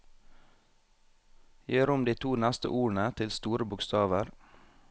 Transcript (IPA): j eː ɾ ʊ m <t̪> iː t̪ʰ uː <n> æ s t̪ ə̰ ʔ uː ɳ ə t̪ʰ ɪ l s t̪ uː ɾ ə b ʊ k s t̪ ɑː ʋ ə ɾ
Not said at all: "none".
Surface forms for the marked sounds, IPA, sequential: d̪, n

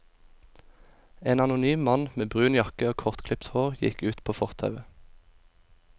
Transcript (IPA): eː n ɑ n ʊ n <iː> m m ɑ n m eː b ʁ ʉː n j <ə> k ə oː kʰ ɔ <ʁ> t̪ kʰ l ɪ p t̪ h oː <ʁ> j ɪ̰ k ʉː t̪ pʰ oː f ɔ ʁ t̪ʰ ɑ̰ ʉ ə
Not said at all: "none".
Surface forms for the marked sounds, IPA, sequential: yː, ɑ, ʁ, ʁ

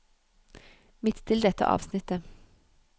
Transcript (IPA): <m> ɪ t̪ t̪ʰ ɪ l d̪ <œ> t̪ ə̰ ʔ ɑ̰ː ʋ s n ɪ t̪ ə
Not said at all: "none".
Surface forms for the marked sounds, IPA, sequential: m, ɛ

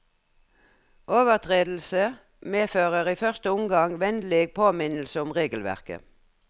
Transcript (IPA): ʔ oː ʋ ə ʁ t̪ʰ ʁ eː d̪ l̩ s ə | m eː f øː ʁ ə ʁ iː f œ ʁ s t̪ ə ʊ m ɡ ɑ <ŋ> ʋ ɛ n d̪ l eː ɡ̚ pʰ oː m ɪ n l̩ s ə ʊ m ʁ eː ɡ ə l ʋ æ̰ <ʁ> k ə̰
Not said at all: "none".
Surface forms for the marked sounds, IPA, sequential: ŋ, ʁ

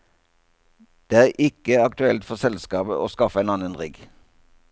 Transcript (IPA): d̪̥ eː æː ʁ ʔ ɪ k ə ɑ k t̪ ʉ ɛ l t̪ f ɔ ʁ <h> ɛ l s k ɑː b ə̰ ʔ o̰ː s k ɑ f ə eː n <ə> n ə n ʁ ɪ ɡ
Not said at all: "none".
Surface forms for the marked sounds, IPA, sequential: s, ɑ

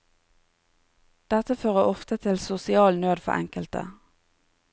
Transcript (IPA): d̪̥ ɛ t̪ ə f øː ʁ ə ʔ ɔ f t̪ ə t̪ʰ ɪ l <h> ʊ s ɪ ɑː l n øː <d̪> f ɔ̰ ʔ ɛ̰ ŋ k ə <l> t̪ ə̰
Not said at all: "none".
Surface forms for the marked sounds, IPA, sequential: s, d̪, l

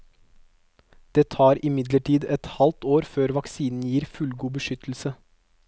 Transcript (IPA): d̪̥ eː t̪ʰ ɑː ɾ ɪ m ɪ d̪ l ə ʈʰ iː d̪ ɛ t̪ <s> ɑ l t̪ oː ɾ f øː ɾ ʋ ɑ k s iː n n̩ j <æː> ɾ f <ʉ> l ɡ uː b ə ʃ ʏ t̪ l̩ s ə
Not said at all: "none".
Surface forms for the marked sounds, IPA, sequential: h, iː, ʉ

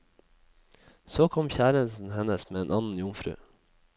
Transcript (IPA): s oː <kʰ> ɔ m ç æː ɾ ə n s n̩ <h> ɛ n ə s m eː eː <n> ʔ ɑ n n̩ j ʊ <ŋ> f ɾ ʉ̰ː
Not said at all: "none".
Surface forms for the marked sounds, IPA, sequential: kʰ, h, n, ŋ

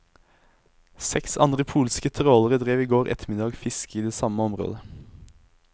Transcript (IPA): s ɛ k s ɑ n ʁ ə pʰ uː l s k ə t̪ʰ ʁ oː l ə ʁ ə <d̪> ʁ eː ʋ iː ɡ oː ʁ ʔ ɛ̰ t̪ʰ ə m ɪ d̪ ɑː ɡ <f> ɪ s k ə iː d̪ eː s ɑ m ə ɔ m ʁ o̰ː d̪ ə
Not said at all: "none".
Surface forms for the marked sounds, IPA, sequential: d̪, f

